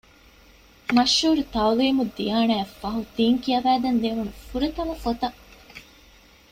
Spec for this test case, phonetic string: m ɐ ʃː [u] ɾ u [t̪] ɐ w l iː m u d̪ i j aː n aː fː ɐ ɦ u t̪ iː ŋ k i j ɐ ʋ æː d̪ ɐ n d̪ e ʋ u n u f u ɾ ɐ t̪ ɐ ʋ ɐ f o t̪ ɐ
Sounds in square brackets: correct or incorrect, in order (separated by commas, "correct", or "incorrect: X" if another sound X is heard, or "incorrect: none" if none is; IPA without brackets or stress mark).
incorrect: uː, correct